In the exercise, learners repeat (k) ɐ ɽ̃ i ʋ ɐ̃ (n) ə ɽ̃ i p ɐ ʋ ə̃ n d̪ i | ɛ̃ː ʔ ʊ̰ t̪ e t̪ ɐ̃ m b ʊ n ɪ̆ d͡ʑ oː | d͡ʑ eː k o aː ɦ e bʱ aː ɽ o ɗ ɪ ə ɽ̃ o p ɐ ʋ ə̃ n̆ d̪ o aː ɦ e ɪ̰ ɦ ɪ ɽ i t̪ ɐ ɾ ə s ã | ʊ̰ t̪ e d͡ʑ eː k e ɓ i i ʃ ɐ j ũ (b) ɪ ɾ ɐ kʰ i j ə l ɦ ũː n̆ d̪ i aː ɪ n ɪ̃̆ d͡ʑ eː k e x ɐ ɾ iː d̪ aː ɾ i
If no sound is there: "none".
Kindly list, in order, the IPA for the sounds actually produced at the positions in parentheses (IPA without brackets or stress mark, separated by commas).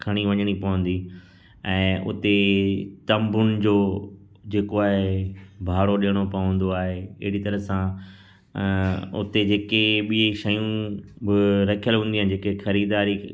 kʰ, ɲ, b